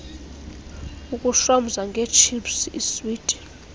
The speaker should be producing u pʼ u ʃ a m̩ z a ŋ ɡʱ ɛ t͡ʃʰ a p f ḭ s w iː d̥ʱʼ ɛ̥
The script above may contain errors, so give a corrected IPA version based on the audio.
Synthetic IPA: u kʼ u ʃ a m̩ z a ŋ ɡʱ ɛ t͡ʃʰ i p s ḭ s w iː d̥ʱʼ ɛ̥